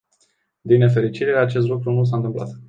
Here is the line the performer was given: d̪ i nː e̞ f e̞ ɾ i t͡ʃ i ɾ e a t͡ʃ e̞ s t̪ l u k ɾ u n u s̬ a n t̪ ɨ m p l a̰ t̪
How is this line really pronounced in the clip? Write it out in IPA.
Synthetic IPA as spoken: d̪ i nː e̞ f e̞ ɾ i t͡ʃ i ɾ e a t͡ʃ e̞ s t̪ l u k ɾ u n u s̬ a n t̪ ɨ m p l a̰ t̪